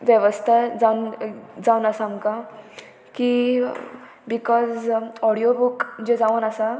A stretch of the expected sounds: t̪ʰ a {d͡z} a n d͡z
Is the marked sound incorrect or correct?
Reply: correct